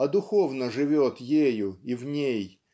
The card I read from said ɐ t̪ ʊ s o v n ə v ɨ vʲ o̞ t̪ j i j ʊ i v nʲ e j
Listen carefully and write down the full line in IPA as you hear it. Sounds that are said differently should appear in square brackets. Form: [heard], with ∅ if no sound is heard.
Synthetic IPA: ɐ [d̪] ʊ [x] o v n ə [ʐ] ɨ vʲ o̞ t̪ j [e] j ʊ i v nʲ e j